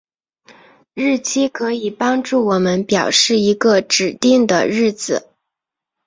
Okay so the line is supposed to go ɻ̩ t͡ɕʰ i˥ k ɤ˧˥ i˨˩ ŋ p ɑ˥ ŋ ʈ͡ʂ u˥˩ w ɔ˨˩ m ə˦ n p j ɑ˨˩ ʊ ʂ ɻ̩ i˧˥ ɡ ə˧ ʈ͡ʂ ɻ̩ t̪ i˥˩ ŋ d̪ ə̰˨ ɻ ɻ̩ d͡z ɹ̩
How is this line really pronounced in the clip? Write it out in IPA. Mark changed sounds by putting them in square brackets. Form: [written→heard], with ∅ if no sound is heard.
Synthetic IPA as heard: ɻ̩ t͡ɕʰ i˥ [k→kʰ] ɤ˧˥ i˨˩ [ŋ→∅] p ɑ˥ ŋ ʈ͡ʂ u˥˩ w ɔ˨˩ m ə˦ n p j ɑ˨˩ ʊ ʂ ɻ̩ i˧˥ ɡ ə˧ ʈ͡ʂ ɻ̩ t̪ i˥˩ ŋ d̪ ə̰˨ ɻ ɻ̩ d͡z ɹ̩